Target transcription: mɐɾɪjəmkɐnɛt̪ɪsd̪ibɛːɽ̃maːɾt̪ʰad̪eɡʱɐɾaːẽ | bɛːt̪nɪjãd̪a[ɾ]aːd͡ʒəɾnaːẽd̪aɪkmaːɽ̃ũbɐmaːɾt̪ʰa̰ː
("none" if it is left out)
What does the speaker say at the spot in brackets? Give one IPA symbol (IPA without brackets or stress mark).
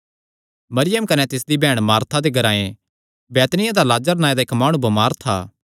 l